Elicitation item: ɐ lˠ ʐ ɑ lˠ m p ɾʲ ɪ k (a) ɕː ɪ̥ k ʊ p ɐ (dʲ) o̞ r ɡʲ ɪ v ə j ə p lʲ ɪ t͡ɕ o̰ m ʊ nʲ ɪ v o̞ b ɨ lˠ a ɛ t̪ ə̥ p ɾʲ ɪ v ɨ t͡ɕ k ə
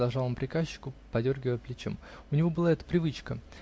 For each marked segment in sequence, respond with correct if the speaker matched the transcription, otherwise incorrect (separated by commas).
correct, correct